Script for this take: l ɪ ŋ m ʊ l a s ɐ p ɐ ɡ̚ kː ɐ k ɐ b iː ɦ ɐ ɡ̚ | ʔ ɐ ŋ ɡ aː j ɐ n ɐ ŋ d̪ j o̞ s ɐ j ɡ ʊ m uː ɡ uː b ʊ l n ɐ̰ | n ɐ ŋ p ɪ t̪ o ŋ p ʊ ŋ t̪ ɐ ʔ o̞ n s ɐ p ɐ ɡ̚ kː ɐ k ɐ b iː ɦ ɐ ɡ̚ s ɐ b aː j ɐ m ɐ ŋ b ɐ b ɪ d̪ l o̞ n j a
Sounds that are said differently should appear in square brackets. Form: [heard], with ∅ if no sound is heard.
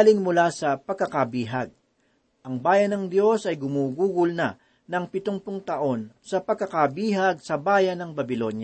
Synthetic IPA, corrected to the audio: l ɪ ŋ m ʊ l a s ɐ p ɐ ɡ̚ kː ɐ k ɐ b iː ɦ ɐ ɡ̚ | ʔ ɐ ŋ [b] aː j ɐ n ɐ ŋ d̪ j o̞ s ɐ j ɡ ʊ m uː ɡ uː [ɡ] ʊ l n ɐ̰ | n ɐ ŋ p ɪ t̪ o ŋ p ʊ ŋ t̪ ɐ ʔ o̞ n s ɐ p ɐ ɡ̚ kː ɐ k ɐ b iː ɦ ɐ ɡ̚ s ɐ b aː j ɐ [n] ɐ ŋ b ɐ b ɪ [∅] l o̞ n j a